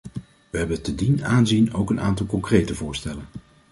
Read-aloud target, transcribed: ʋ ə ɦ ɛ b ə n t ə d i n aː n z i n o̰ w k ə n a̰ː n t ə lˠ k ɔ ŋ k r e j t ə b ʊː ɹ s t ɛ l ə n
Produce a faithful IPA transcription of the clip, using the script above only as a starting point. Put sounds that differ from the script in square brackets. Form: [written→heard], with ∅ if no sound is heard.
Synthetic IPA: ʋ ə ɦ ɛ b ə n t ə d i n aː n z i n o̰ w k ə n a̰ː n t [ə→ɑ] lˠ k ɔ ŋ k r e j t ə [b→v] ʊː ɹ s t ɛ l ə n